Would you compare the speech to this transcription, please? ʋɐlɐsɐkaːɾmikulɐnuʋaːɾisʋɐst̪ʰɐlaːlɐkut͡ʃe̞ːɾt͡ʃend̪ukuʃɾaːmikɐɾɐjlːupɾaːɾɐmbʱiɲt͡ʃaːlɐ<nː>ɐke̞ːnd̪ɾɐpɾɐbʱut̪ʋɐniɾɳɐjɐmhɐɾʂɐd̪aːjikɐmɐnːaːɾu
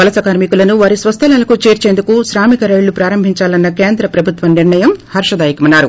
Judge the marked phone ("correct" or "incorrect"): correct